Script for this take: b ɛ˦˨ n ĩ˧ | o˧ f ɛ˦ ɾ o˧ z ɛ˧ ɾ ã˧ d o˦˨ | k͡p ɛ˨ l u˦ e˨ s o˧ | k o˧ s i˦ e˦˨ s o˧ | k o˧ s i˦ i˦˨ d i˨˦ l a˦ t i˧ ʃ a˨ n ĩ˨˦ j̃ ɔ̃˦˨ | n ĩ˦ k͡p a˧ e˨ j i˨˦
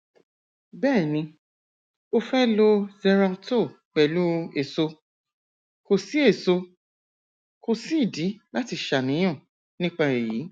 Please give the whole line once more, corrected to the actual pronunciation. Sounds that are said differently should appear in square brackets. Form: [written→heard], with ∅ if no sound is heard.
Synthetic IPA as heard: b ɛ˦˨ n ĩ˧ | o˧ f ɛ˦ [ɾ→l] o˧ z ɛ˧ ɾ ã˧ [d→t] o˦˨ | k͡p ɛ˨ l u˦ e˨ s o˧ | k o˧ s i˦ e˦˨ s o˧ | k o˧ s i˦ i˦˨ d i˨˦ l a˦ t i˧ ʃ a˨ n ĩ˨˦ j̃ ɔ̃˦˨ | n ĩ˦ k͡p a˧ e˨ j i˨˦